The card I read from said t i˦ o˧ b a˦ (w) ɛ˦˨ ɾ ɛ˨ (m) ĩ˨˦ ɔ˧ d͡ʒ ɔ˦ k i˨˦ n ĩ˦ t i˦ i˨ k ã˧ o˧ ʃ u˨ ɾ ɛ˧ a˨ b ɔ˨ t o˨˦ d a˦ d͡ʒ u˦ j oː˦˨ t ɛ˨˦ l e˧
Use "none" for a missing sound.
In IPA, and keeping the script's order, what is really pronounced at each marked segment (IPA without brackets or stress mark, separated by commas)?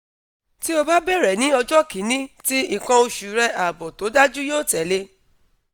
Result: b, n